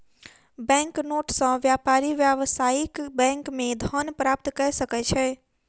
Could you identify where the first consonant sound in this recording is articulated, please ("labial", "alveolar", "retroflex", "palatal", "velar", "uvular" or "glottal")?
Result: labial